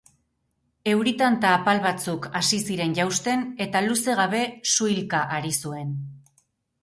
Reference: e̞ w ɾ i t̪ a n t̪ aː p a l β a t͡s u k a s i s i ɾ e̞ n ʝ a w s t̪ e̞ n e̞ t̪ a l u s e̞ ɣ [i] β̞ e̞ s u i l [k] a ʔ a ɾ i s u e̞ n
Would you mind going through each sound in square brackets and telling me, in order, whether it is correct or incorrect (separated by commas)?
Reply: incorrect, correct